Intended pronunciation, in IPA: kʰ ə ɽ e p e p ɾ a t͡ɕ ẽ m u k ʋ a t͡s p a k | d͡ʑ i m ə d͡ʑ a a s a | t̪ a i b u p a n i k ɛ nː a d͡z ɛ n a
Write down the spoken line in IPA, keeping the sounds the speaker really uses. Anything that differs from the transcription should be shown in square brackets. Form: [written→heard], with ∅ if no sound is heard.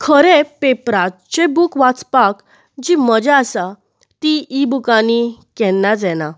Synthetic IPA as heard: kʰ ə [ɽ→ɾ] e p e p ɾ a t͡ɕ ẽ [m→b] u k ʋ a t͡s p a k | d͡ʑ i m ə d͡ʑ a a s a | t̪ [a→i] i b u [p→k] a n i k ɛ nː a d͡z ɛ n a